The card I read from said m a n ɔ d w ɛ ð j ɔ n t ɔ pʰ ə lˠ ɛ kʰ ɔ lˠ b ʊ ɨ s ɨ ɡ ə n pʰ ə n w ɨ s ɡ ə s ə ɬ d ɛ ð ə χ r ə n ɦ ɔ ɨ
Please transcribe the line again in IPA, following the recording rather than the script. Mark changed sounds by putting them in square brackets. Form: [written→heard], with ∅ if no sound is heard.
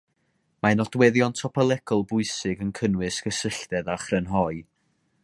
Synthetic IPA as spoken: m a n ɔ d w ɛ ð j ɔ n [t→tʰ] ɔ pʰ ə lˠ ɛ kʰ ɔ lˠ b ʊ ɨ s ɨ ɡ ə n [pʰ→kʰ] ə n w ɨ s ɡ ə s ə ɬ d ɛ ð [ə→a] χ r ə n ɦ ɔ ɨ